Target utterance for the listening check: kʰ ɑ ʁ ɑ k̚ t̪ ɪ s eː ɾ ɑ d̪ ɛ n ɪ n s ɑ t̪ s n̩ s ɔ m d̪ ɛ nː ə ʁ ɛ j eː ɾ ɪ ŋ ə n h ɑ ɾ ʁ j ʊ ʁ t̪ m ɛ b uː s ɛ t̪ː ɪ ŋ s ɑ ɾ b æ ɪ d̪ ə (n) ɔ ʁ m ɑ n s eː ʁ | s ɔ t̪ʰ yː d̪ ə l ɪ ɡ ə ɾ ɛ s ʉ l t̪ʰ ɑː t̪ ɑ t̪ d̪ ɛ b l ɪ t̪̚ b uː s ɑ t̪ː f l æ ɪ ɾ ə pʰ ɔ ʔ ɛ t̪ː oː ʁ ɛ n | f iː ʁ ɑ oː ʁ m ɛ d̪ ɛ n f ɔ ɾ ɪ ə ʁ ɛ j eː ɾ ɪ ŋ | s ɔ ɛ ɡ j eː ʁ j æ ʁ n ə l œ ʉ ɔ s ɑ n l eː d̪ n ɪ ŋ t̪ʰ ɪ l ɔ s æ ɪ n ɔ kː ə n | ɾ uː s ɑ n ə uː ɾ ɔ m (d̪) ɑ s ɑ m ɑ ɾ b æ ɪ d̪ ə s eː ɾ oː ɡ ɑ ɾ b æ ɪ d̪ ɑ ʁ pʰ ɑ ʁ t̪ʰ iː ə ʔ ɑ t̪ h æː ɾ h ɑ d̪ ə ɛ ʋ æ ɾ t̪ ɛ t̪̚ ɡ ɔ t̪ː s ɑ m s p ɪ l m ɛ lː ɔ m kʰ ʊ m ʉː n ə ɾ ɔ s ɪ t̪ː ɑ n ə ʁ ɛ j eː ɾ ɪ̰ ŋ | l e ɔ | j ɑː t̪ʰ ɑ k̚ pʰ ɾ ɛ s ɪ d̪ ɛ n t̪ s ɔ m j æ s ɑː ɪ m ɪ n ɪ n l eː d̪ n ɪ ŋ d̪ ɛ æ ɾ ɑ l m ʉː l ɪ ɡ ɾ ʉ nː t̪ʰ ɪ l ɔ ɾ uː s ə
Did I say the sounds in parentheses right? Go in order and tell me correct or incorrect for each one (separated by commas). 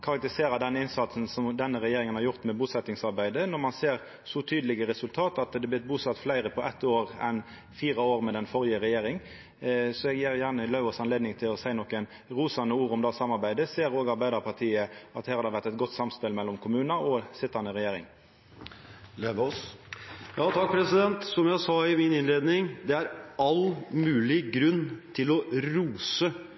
correct, correct